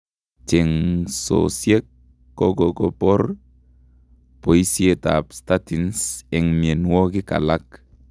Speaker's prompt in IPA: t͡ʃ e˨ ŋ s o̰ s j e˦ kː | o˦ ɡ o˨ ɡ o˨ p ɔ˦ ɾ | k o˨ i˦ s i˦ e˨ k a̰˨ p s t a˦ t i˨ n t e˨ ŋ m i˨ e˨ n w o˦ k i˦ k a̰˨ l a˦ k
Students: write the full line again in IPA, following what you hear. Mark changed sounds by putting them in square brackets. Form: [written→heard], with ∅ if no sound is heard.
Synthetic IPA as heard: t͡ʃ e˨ ŋ s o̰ s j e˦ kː | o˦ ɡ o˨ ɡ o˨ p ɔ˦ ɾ | [k→p] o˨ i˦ s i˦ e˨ [k→t] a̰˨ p s t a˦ t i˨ n [t→s] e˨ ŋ m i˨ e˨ n w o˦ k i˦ k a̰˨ l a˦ k

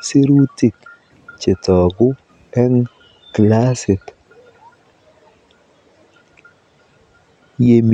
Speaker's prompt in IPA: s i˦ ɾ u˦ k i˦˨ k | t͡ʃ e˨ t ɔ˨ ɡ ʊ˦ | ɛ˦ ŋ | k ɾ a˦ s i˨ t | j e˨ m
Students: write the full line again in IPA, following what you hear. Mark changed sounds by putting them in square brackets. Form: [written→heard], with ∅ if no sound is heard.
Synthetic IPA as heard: s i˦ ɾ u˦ [k→t] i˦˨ k | t͡ʃ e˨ t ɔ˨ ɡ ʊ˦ | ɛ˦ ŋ | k [ɾ→l] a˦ s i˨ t | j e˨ m

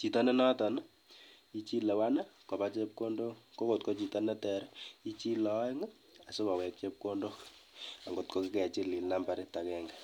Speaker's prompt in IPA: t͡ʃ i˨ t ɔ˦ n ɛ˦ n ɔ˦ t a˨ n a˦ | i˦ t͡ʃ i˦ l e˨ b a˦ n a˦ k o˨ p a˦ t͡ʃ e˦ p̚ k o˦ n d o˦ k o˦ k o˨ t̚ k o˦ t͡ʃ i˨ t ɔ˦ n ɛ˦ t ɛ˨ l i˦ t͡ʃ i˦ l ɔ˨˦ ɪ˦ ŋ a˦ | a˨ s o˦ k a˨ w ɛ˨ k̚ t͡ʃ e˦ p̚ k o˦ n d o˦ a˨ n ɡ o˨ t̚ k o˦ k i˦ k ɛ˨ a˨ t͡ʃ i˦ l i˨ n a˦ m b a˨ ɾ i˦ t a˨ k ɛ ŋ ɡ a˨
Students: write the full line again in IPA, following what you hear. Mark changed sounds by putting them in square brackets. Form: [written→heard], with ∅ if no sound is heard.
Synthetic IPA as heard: t͡ʃ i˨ t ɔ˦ n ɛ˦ n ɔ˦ t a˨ n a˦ | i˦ t͡ʃ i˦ l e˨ [b→w] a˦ n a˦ k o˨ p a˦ t͡ʃ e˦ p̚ k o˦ n d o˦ k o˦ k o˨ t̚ k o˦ t͡ʃ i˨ t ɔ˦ n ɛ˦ t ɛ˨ [l→ɾ] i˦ t͡ʃ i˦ l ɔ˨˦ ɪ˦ ŋ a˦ | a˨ s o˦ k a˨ w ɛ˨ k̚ t͡ʃ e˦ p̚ k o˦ n d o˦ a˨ [n→ŋ] ɡ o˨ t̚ k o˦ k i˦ k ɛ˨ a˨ t͡ʃ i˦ l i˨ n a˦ m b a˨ ɾ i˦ t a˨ k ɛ ŋ ɡ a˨

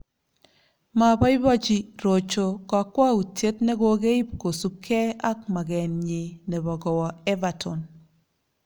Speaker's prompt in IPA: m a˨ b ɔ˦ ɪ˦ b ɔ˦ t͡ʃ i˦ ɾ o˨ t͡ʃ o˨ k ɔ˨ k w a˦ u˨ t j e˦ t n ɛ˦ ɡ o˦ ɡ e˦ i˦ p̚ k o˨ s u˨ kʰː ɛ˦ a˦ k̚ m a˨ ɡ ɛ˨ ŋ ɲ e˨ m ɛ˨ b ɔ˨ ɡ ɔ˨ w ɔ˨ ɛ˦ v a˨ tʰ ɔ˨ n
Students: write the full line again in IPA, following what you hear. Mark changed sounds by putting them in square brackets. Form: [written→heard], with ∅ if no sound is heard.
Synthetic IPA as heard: m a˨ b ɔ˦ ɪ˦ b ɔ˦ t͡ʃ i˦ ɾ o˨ t͡ʃ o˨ k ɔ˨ k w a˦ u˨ t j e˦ t n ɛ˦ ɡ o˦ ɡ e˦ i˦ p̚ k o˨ s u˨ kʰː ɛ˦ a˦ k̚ m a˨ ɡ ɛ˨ [ŋ→n] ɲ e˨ [m→n] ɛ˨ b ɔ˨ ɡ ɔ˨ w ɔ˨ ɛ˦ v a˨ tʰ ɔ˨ n

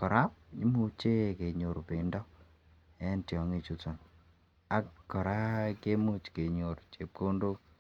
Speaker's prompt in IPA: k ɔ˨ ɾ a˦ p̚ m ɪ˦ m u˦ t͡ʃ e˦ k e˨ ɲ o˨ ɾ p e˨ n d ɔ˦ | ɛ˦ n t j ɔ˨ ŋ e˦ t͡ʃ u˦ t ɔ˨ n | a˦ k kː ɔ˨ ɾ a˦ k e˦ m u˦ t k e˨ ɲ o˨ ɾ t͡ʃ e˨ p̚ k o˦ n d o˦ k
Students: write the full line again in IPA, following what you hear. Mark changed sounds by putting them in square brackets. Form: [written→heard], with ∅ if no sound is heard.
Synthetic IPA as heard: k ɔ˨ ɾ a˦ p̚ [m→ɲ] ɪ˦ m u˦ t͡ʃ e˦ k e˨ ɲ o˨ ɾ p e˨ n d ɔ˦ | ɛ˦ n t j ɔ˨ ŋ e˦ t͡ʃ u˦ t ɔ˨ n | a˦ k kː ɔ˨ ɾ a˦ k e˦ m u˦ [t→t͡ʃ] k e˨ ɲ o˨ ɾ t͡ʃ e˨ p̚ k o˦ n d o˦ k

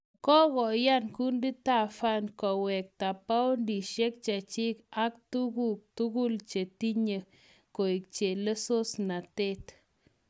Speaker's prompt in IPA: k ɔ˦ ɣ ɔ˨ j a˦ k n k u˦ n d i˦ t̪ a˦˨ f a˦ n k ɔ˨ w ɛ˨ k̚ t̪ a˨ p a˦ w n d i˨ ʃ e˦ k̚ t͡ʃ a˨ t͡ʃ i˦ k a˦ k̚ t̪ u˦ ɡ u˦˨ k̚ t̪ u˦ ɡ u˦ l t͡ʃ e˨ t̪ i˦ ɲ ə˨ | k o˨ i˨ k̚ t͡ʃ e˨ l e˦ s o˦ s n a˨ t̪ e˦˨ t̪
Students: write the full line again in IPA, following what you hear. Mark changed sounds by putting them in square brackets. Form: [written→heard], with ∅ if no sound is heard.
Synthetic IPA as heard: k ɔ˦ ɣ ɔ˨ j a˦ [k→∅] n k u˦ n d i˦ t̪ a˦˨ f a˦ n k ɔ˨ w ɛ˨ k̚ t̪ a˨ p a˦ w n d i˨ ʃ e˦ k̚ t͡ʃ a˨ t͡ʃ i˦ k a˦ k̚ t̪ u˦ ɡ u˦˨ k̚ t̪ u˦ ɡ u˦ l t͡ʃ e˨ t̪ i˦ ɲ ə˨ | k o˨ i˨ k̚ t͡ʃ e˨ l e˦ s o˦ s n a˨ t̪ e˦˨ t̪

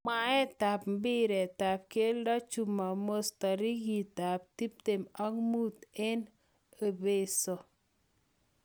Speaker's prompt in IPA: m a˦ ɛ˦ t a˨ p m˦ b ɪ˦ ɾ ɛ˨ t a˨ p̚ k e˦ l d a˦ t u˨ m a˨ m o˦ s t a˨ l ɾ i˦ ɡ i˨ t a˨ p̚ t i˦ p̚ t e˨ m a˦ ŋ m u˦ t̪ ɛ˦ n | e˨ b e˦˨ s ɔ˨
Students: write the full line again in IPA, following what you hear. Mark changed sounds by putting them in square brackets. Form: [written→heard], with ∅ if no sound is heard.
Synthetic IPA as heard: m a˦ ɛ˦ t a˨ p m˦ b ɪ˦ ɾ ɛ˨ t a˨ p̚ k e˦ l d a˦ [t→t͡ʃ] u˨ m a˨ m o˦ s t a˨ [l→∅] ɾ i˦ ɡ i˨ t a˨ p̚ t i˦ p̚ t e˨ m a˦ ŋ m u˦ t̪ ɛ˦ n | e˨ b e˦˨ s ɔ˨

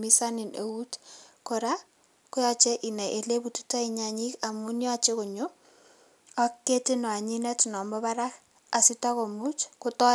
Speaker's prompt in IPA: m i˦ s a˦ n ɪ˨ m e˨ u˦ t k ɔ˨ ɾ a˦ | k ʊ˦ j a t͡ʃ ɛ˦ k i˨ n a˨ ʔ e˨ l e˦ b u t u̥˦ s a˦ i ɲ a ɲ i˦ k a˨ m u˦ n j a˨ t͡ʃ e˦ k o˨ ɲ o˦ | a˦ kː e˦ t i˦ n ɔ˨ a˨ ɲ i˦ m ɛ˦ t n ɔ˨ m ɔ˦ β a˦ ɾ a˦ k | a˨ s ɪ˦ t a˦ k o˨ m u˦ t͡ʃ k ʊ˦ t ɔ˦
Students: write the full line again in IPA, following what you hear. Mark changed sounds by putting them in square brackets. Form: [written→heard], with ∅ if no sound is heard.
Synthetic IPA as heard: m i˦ s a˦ n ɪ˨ [m→n] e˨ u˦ t k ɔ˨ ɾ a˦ | k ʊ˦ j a t͡ʃ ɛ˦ [k→ʔ] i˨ n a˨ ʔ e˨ l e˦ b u t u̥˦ [s→t] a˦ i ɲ a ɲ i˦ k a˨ m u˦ n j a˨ t͡ʃ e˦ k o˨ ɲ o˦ | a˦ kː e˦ t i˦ n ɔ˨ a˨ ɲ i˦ [m→n] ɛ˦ t n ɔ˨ m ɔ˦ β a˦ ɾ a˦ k | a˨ s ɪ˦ t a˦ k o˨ m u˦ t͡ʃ k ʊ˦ t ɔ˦

